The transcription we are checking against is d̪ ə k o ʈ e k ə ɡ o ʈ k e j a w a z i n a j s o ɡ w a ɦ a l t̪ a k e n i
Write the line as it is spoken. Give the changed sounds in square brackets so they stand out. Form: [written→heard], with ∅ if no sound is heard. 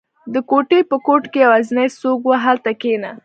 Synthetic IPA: d̪ ə k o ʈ e [k→p] ə [ɡ→k] o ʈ k e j a w a z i n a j s o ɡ w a ɦ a l t̪ a k e n [i→a]